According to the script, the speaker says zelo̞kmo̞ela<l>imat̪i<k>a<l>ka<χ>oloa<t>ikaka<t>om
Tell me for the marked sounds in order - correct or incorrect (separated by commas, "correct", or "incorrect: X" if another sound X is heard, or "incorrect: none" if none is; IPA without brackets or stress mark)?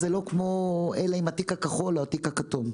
incorrect: none, correct, incorrect: none, correct, correct, correct